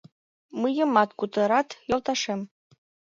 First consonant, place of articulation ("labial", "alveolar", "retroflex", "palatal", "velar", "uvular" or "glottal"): labial